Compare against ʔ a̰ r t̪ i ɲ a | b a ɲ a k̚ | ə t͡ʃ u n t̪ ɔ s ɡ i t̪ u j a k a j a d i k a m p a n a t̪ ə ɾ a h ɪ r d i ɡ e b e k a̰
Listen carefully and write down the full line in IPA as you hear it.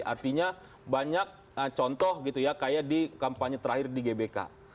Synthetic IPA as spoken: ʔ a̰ r t̪ i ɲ a | b a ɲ a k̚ | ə t͡ʃ ɔ n t̪ ɔ h ɡ i t̪ u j a k a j a d i k a m p a ɲ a t̪ ə ɾ a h ɪ r d i ɡ e b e k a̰